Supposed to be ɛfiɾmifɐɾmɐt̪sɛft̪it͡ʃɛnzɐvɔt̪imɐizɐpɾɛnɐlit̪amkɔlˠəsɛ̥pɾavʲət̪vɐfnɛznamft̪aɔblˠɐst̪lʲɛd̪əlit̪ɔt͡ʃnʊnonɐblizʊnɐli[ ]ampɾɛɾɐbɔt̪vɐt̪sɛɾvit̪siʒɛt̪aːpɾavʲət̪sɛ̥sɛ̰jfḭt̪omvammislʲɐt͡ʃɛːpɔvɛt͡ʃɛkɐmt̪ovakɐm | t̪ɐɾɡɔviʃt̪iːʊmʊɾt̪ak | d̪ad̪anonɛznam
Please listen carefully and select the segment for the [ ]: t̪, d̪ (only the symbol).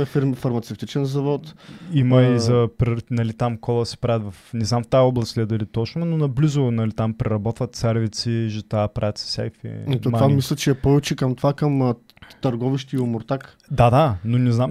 t̪